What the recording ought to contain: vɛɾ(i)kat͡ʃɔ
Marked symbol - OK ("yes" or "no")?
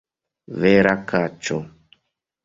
no